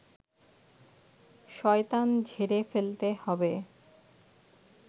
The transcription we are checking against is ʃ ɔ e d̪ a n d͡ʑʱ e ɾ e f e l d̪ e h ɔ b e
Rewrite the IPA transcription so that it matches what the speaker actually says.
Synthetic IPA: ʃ ɔ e t̪ a n d͡ʑʱ e ɾ e f e l t̪ e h ɔ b e